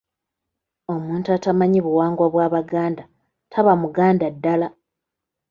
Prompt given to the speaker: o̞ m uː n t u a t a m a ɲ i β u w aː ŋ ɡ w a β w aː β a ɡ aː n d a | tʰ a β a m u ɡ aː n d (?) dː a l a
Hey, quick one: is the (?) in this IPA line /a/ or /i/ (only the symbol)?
a